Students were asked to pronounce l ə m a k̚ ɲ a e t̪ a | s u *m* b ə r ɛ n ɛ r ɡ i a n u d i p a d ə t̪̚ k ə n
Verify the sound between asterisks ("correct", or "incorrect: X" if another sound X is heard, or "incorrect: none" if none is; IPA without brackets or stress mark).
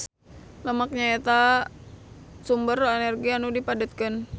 correct